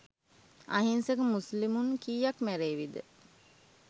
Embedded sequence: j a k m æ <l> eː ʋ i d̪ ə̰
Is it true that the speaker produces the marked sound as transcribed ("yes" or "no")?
no